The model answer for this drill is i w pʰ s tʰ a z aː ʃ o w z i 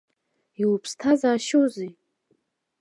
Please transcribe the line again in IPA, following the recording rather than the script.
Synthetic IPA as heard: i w pʰ s tʰ a z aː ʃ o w z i